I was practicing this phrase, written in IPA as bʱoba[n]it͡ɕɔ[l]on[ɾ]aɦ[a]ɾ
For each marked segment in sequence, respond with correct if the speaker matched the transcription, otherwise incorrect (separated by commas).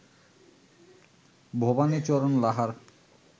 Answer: correct, incorrect, incorrect, correct